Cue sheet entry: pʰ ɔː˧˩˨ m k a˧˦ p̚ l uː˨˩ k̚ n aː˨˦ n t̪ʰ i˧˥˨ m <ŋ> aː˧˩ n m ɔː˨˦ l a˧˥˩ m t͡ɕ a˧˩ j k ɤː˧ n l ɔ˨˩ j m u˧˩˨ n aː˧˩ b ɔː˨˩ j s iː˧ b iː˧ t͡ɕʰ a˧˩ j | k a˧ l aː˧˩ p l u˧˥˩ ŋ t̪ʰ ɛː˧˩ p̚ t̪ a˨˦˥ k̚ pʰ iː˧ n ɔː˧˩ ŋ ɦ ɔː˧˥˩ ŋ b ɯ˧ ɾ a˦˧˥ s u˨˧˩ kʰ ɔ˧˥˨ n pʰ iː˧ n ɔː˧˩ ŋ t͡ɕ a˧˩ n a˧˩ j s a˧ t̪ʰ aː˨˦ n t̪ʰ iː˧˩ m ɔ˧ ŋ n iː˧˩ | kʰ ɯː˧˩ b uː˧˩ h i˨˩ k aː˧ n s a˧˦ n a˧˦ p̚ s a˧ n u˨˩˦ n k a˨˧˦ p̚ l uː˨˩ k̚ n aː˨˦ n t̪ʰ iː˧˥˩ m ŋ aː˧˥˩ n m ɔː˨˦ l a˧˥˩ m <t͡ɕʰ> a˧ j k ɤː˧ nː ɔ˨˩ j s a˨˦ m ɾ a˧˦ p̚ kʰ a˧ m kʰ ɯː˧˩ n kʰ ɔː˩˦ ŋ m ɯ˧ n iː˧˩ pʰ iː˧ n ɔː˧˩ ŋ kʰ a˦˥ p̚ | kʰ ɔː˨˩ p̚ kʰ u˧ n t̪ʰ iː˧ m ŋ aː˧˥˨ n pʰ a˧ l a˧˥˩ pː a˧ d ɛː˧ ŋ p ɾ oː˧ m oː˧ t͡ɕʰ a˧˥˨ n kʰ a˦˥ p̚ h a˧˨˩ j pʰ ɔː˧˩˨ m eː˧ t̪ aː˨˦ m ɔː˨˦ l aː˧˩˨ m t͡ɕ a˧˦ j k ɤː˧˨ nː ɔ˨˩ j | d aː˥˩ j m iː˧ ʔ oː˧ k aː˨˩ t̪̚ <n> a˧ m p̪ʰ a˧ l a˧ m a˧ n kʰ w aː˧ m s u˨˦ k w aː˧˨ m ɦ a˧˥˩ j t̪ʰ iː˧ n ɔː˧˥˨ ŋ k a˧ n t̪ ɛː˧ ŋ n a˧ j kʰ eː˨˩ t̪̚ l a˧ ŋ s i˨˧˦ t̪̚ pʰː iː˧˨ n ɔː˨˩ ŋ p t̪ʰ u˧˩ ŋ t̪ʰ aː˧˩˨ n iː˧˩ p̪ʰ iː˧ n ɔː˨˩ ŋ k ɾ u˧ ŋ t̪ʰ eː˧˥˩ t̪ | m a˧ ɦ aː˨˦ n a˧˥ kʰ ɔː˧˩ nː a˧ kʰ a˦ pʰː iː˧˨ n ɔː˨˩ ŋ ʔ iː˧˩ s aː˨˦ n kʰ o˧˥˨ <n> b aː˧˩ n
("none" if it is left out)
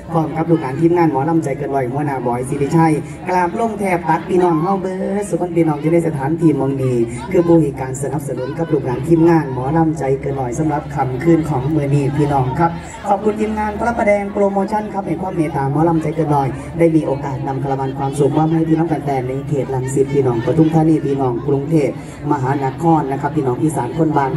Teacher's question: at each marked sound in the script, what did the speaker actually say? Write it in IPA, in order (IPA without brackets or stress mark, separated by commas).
ŋ, t͡ɕ, n, n